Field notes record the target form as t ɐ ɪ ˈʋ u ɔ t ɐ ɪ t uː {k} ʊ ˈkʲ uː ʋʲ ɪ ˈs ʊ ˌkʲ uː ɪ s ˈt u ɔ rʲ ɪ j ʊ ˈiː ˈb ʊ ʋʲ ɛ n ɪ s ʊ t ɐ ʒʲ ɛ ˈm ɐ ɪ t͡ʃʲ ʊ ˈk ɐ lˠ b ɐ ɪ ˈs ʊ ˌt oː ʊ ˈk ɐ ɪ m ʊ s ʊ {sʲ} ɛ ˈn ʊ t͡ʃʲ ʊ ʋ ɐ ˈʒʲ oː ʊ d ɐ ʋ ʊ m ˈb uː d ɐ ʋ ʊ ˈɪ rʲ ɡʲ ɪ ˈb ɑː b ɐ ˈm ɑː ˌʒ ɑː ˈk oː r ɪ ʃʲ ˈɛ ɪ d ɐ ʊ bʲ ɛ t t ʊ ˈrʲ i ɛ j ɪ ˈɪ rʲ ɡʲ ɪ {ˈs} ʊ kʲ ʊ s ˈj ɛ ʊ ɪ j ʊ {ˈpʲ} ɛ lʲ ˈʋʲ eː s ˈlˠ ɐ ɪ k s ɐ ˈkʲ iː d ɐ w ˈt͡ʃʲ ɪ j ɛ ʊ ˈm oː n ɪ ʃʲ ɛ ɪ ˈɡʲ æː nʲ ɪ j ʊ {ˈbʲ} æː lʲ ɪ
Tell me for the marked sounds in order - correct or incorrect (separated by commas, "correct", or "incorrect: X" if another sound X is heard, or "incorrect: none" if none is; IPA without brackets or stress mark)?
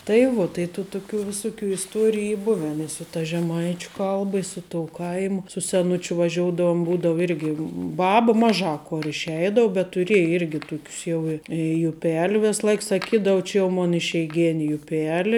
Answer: incorrect: t, correct, incorrect: t, correct, incorrect: pʲ